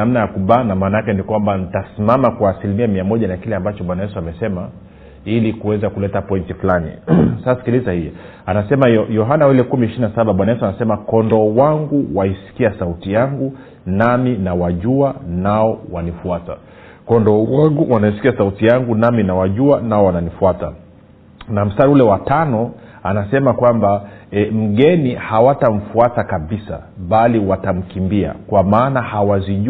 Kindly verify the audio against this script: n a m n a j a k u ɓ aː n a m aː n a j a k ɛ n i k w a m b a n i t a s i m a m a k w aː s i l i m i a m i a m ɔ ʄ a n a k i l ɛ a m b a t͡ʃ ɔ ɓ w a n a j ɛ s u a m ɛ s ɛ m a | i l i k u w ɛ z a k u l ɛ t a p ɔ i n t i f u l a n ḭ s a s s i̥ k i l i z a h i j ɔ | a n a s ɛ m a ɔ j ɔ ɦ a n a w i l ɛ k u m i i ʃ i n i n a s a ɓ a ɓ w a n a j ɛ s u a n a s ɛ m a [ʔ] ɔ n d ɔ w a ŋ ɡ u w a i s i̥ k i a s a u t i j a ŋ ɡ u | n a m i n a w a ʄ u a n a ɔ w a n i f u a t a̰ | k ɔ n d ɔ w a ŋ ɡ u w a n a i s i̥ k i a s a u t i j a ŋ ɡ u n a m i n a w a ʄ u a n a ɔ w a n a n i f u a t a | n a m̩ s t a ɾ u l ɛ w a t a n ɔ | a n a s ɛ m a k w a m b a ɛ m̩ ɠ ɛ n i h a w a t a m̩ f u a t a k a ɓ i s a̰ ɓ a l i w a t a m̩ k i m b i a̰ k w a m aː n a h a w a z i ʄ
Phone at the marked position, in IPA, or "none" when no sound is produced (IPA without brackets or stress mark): k